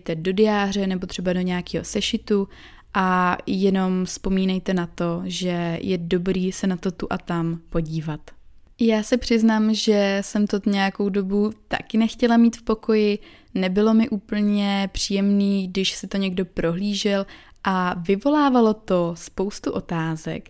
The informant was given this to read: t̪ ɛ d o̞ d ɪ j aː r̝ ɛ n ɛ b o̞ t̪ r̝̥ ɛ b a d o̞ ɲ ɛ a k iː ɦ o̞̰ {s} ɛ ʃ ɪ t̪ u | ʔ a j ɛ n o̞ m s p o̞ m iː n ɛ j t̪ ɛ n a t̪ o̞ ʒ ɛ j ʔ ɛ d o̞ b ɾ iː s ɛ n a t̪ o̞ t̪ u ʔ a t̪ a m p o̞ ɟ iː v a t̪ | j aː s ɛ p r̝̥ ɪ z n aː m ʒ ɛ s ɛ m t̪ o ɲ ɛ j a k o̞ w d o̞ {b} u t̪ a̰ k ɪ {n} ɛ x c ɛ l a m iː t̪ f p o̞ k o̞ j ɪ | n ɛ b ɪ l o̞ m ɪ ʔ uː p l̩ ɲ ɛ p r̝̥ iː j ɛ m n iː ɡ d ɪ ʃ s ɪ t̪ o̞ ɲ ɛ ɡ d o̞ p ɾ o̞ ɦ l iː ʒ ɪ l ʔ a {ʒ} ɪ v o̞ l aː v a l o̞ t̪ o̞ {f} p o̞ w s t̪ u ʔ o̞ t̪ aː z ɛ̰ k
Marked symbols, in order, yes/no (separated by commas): yes, yes, yes, no, no